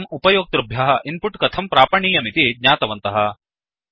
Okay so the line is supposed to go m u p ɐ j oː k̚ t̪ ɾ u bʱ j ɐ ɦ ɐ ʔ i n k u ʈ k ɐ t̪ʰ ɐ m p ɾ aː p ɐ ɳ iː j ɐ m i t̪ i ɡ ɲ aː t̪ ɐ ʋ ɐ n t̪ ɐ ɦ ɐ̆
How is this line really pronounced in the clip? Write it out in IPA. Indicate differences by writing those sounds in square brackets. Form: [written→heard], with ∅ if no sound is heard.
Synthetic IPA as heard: m u p ɐ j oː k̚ t̪ ɾ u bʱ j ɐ ɦ ɐ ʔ i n [k→p] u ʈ k ɐ t̪ʰ ɐ m p ɾ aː p ɐ ɳ iː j ɐ m i t̪ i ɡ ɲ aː t̪ ɐ ʋ ɐ n t̪ ɐ ɦ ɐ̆